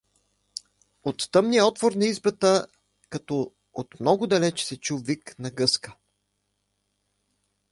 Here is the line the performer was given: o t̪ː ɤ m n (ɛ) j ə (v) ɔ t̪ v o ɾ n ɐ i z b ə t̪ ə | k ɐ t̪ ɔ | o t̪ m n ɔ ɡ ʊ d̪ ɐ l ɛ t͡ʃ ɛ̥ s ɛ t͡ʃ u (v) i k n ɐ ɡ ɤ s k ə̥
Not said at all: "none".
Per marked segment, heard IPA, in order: i, none, v

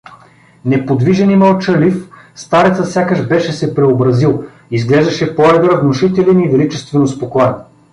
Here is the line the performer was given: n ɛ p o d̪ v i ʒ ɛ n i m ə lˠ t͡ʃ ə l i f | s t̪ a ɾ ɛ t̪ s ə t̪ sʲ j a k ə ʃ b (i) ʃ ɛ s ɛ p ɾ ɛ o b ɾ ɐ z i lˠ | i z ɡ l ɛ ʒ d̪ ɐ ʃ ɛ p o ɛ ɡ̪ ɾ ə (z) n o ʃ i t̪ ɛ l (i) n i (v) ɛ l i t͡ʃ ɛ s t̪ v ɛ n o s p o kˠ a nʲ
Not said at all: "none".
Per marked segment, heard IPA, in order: ɛ, v, ɛ, v

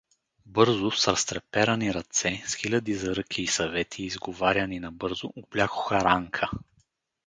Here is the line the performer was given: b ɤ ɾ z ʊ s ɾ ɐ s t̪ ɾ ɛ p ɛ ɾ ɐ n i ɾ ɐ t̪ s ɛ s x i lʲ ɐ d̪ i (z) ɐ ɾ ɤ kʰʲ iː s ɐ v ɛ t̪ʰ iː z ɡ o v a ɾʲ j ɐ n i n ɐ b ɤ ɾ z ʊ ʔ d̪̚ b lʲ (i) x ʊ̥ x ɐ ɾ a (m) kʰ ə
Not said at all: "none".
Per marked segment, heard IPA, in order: z, a, ŋ

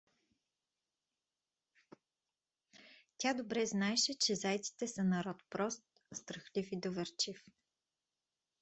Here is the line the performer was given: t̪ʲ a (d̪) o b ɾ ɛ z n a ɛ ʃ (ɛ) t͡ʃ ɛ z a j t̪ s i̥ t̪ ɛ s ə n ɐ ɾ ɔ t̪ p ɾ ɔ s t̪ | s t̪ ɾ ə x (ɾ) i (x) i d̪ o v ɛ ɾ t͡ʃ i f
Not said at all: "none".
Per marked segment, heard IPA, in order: d̪, ɛ, l, f

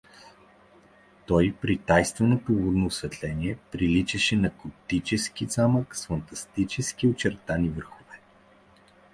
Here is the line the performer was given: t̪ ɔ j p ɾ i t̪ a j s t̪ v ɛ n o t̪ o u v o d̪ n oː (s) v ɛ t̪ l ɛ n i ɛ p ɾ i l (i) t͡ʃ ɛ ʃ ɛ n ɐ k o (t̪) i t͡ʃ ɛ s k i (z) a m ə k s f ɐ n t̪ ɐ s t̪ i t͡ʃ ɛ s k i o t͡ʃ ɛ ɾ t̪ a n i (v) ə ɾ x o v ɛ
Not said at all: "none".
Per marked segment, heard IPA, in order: s, i, t̪, z, v

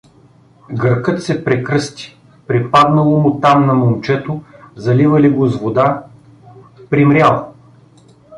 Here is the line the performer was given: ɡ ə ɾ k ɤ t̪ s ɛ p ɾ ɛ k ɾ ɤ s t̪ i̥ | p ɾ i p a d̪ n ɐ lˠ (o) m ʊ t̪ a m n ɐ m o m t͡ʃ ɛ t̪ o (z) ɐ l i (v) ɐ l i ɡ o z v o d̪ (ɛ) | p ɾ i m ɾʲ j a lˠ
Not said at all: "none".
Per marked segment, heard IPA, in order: o, z, v, a

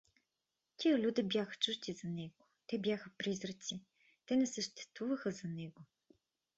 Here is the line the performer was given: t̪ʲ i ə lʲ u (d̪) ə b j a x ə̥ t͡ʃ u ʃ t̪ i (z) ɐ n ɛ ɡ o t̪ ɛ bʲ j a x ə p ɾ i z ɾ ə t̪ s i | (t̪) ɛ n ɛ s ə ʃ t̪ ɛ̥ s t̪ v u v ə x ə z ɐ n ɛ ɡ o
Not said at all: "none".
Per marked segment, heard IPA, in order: d̪, z, t̪

